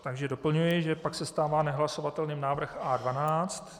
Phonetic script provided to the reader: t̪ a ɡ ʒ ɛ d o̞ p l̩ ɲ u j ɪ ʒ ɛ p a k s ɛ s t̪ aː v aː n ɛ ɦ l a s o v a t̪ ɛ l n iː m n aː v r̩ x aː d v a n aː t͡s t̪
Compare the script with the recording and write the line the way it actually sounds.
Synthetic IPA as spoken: t̪ a ɡ ʒ ɛ d o̞ p l̩ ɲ u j ɪ ʒ ɛ p a k s ɛ s t̪ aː v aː n ɛ ɦ l a s o v a t̪ ɛ l n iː m n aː v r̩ x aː d v a n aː t͡s t̪